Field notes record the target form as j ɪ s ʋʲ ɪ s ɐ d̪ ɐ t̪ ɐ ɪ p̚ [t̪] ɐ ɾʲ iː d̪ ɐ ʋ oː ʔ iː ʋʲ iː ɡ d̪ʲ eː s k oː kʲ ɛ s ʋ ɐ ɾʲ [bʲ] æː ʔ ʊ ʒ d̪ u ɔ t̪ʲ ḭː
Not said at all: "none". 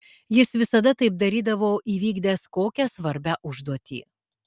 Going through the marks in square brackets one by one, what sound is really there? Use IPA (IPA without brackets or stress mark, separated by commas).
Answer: d̪, bʲ